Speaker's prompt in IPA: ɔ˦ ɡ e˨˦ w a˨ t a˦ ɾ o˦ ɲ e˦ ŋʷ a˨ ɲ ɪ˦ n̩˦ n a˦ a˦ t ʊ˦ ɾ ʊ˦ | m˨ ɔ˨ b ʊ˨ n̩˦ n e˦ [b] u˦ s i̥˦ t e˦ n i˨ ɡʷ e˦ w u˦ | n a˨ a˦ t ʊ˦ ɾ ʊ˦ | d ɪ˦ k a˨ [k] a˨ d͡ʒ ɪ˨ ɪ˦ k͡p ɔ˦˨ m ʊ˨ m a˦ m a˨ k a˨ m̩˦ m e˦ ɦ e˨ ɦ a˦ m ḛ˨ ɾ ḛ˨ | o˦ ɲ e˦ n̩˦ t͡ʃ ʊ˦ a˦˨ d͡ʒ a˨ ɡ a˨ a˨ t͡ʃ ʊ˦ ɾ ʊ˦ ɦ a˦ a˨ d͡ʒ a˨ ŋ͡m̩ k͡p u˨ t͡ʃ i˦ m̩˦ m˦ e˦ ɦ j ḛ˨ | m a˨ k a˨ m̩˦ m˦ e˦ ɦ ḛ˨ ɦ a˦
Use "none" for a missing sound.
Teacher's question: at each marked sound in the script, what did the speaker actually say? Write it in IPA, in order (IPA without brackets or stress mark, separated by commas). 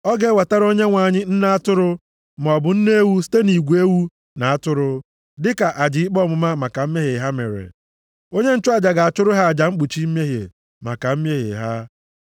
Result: w, ʔ